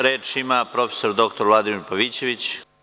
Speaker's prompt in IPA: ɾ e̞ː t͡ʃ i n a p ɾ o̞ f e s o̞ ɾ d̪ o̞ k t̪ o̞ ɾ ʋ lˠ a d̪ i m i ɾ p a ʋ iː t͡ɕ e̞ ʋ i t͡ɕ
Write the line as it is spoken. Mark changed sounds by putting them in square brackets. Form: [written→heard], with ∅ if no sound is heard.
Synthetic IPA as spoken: ɾ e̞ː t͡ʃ i [n→m] a p ɾ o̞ f e s o̞ ɾ d̪ o̞ k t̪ o̞ ɾ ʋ lˠ a d̪ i m i ɾ p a ʋ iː t͡ɕ e̞ ʋ i t͡ɕ